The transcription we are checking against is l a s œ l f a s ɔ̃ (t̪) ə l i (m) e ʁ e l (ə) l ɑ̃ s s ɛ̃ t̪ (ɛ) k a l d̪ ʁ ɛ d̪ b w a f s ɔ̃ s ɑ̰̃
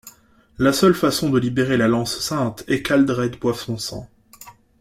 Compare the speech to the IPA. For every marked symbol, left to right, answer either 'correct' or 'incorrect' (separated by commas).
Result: incorrect, incorrect, incorrect, correct